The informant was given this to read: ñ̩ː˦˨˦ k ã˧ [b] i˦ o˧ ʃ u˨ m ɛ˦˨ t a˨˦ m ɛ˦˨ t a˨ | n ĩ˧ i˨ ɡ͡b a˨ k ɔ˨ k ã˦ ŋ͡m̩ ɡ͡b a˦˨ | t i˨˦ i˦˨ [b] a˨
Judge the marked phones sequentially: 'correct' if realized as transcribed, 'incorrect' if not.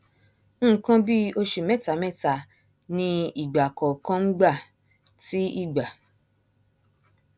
correct, incorrect: ɡ͡b

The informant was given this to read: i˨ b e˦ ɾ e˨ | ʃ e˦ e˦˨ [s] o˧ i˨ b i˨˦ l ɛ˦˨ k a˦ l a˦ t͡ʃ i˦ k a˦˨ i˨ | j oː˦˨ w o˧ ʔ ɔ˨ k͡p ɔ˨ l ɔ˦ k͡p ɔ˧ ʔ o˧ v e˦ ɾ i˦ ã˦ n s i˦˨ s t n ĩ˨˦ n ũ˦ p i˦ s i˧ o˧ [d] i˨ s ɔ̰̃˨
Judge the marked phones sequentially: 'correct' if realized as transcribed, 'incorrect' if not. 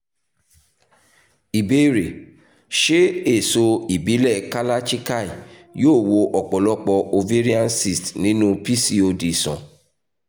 correct, correct

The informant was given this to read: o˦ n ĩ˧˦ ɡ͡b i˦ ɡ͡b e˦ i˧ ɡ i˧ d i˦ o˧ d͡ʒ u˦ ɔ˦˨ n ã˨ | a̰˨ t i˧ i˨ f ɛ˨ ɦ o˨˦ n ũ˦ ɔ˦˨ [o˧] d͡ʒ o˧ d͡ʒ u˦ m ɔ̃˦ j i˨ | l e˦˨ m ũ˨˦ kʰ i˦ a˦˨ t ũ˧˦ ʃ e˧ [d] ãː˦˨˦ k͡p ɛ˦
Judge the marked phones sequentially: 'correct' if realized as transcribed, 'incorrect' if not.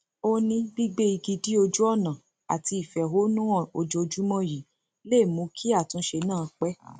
correct, incorrect: n

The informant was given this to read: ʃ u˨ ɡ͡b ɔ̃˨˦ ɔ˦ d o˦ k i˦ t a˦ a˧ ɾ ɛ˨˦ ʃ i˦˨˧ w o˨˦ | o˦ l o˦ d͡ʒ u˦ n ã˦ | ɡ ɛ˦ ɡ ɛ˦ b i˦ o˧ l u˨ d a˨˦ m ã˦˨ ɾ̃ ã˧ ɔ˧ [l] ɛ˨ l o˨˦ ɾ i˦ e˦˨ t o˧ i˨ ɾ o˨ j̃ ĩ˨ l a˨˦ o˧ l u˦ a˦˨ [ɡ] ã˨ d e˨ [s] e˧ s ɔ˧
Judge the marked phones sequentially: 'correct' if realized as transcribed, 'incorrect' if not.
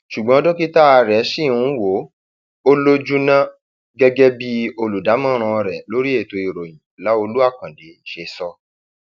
incorrect: ɾ, incorrect: k, incorrect: ʃ

